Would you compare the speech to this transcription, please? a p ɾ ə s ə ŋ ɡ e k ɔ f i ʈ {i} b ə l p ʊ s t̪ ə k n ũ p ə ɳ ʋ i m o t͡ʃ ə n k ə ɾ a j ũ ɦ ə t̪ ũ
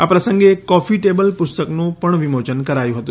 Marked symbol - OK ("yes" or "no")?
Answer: no